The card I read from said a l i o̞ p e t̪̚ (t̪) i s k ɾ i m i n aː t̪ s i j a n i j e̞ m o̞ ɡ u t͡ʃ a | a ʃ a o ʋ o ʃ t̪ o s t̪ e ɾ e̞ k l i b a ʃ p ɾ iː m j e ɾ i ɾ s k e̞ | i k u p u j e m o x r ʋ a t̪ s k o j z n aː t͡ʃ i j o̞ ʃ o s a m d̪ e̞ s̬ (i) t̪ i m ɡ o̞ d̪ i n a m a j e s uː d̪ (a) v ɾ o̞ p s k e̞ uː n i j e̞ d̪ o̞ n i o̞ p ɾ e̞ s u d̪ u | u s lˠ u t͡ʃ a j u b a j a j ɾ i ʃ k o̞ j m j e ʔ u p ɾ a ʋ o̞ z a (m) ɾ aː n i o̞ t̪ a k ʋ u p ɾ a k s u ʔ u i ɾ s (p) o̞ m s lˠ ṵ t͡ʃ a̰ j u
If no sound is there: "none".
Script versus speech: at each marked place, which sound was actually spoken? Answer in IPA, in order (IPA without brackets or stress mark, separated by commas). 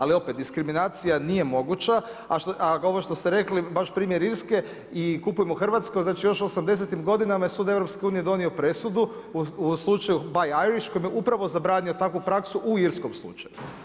d̪, e, e, b, k